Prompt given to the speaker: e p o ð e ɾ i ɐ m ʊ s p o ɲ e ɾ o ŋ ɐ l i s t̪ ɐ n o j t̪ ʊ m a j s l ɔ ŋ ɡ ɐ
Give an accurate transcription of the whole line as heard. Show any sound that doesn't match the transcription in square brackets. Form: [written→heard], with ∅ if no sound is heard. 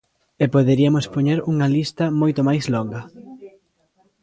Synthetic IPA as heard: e p o ð e ɾ i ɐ m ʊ s p o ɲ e ɾ [o→u] ŋ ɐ l i s t̪ ɐ [n→m] o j t̪ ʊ m a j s l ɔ ŋ ɡ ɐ